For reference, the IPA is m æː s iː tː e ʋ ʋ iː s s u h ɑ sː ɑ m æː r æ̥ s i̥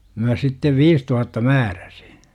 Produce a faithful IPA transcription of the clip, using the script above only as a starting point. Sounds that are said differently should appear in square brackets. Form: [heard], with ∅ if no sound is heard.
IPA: m [æ] s [i] tː e ʋ ʋ iː s [t] u h ɑ [tː] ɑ m æː r æ̥ s i̥